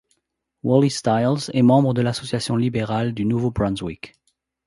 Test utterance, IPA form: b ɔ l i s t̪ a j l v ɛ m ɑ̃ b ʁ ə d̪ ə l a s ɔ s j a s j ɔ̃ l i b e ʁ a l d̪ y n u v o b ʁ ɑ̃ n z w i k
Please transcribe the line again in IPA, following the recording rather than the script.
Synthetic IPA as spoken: w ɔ l i s t̪ a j l z ɛ m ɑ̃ b ʁ ə d̪ ə l a s ɔ s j a s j ɔ̃ l i b e ʁ a l d̪ y n u v o b ʁ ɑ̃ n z w i k

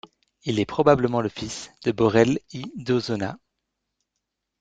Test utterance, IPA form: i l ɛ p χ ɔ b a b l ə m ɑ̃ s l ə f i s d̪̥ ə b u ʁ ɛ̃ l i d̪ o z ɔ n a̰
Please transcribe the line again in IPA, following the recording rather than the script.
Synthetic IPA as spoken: i l ɛ p χ ɔ b a b l ə m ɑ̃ l ə f i s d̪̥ ə b ɔ ʁ ɛ l i d̪ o z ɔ n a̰

